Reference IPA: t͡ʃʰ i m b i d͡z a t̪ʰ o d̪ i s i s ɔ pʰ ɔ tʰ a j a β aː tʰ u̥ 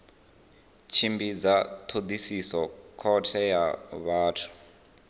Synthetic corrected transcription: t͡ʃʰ i m b i d͡z a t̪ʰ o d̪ i s i s ɔ kʰ ɔ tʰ ɛ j a β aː tʰ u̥